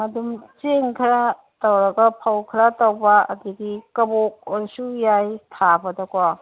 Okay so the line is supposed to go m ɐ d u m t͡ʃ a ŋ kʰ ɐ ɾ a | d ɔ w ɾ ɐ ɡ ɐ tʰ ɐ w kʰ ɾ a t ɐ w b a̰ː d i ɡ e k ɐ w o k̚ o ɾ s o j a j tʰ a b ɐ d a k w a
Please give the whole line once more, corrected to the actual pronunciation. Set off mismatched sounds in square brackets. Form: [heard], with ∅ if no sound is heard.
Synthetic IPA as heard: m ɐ d u m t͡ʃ [e] ŋ kʰ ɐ ɾ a | [t] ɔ w ɾ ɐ ɡ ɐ [pʰ] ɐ w kʰ ɾ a t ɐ w b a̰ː d i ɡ [i] k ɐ [b] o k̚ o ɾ s [u] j a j tʰ a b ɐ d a k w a